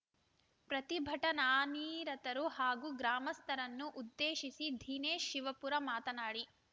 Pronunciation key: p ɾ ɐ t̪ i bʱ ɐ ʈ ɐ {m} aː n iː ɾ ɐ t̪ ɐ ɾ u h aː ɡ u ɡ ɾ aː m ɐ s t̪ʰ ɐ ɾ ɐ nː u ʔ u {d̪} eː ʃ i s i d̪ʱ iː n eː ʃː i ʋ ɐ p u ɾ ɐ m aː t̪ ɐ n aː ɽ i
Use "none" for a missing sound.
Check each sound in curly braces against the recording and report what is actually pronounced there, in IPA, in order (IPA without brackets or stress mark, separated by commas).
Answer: n, d̪ː